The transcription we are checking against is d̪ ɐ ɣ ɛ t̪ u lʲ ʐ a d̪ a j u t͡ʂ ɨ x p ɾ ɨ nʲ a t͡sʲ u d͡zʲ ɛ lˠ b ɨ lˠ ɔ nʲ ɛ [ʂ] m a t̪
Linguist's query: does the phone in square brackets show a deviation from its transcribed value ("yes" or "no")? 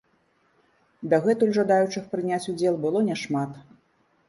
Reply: no